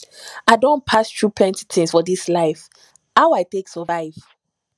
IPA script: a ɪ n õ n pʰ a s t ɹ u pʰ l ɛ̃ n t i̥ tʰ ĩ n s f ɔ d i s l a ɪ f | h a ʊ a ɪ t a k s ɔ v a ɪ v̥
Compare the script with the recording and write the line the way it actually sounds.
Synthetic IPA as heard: a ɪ d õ n pʰ a s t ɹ u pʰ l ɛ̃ n t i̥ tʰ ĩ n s f ɔ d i s l a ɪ f | h a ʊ a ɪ t e k s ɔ v a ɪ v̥